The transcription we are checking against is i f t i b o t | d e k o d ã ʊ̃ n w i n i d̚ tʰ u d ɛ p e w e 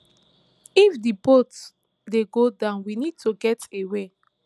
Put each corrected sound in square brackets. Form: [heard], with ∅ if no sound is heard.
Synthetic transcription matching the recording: i f [d] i b o t | d e [ɡ] o d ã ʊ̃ n w i n i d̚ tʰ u [ɡ] ɛ [t] e w e